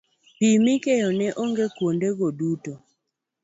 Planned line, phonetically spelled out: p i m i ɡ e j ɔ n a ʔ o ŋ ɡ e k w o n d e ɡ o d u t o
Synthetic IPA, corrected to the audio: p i m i k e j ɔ n ɛ ʔ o ŋ ɡ e k w o n d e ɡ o d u t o